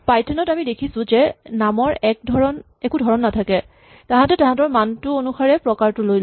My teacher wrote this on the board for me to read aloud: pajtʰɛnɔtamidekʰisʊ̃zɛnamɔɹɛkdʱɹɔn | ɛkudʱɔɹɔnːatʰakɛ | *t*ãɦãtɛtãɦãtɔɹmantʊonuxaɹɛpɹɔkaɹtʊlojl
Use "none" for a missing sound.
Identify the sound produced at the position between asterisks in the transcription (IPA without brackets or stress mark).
t